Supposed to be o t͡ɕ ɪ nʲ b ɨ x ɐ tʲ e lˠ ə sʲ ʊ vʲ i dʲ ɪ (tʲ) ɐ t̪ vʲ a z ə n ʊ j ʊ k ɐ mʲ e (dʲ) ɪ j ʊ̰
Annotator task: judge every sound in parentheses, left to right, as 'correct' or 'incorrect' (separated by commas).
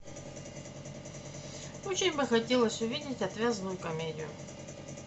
correct, correct